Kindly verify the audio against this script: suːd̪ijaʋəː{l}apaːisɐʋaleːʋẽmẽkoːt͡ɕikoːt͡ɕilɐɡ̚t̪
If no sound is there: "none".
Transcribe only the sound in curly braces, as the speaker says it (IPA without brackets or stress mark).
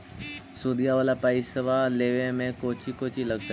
l